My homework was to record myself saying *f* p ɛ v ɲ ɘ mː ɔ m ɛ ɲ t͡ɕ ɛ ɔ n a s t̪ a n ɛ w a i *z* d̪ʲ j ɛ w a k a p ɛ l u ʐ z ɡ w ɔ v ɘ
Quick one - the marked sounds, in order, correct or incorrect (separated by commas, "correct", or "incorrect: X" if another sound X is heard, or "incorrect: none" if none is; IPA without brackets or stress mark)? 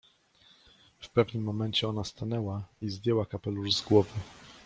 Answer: correct, correct